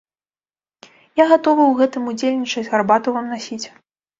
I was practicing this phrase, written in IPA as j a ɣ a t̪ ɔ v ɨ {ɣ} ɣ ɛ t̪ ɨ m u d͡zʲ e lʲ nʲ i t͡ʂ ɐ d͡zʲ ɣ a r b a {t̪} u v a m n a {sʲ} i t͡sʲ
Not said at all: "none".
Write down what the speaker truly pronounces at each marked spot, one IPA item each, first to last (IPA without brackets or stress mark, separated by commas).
w, t̪, sʲ